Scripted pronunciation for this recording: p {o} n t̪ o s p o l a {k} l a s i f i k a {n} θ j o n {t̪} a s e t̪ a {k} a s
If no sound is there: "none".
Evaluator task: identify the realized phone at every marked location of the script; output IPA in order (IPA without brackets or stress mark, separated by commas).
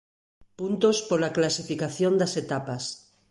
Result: u, k, none, d̪, p